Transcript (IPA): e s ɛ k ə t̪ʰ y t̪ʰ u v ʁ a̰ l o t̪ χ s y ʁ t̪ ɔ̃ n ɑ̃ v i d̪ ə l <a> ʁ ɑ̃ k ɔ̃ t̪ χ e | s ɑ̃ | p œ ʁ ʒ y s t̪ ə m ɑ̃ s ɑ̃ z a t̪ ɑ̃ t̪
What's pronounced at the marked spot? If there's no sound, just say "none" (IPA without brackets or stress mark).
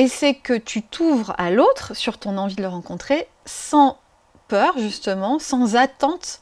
ə